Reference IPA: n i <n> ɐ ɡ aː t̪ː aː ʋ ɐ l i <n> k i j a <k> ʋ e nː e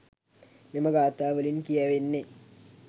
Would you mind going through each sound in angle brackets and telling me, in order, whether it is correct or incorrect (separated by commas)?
incorrect, correct, incorrect